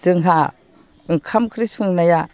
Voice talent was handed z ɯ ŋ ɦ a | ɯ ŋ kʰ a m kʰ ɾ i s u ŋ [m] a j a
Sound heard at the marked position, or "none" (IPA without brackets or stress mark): n